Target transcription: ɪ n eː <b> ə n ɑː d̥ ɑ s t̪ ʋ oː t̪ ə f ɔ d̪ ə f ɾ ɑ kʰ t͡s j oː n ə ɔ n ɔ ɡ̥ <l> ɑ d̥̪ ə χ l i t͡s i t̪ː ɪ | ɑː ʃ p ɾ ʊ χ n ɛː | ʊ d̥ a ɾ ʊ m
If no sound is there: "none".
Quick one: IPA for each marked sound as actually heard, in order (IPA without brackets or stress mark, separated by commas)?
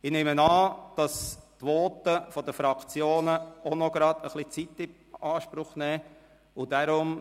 m, ɾ